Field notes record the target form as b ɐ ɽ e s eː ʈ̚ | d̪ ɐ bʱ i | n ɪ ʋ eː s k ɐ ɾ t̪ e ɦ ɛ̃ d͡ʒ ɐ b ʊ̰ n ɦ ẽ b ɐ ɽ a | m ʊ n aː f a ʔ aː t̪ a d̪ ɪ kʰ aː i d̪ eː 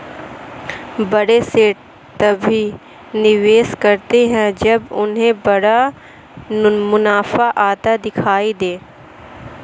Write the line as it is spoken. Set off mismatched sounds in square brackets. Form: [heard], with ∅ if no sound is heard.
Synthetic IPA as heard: b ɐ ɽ e s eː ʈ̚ | [t̪] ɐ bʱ i | n ɪ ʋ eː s k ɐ ɾ t̪ e ɦ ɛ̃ d͡ʒ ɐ b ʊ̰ n ɦ ẽ b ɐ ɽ a | m ʊ n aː f a ʔ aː t̪ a d̪ ɪ kʰ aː i d̪ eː